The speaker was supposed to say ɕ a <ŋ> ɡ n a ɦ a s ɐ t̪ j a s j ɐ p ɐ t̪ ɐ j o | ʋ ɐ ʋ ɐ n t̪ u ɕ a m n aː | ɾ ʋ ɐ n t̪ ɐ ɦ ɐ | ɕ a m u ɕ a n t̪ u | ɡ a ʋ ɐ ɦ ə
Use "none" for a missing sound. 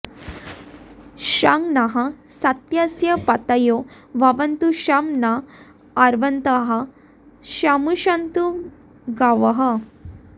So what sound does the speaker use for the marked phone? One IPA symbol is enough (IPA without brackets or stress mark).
ŋ